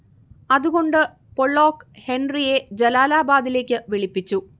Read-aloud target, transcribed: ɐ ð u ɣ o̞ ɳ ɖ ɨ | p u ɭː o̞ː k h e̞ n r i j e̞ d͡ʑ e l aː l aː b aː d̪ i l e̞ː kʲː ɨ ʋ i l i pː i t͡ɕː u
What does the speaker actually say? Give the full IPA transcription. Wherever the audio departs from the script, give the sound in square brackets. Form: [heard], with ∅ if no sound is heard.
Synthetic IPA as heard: ɐ ð u ɣ o̞ ɳ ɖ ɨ | p [o] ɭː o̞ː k h e̞ n r i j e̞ d͡ʑ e l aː l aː b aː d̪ i l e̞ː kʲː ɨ ʋ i [ɭ] i pː i t͡ɕː u

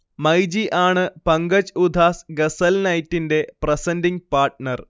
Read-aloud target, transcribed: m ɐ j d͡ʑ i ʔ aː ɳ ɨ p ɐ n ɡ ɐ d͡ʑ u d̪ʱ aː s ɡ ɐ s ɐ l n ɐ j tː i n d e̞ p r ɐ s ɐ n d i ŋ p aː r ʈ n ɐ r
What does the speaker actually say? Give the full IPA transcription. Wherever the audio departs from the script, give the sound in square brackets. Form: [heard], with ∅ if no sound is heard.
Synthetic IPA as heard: m ɐ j d͡ʑ i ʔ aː ɳ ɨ p ɐ [ŋ] ɡ ɐ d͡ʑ u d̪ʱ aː s ɡ ɐ s ɐ l n ɐ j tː i n d e̞ p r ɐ s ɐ n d i ŋ p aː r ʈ n ɐ r

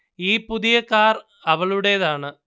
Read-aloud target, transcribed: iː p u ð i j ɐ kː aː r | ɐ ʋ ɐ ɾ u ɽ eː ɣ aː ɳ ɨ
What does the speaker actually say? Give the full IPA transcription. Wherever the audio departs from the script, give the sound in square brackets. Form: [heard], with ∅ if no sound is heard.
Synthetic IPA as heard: iː p u ð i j ɐ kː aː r | ɐ ʋ ɐ [ɭ] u ɽ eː [ð] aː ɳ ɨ

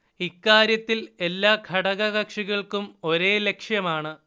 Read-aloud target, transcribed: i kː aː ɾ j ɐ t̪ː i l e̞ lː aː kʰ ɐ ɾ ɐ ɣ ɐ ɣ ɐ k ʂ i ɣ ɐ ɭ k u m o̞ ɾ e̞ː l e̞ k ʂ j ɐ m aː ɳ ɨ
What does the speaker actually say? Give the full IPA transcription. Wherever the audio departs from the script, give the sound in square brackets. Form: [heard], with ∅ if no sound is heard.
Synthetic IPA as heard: i kː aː ɾ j ɐ t̪ː i l e̞ lː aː kʰ ɐ [ɽ] ɐ ɣ ɐ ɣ ɐ k ʂ i ɣ ɐ ɭ k u m o̞ ɾ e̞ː l e̞ k ʂ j ɐ m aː ɳ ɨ

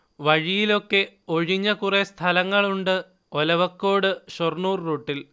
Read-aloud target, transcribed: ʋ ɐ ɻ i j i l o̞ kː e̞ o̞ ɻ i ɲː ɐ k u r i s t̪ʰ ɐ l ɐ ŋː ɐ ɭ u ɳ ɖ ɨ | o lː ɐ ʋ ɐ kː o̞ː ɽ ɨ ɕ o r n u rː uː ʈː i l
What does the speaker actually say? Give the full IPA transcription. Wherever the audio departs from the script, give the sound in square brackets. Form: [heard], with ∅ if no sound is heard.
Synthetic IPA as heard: ʋ ɐ ɻ i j i l o̞ kː e̞ o̞ ɻ i ɲː ɐ k u r [e] s t̪ʰ ɐ l ɐ ŋː ɐ ɭ u ɳ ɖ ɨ | o [l] ɐ ʋ ɐ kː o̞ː ɽ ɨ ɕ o r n [uː] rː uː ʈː i l

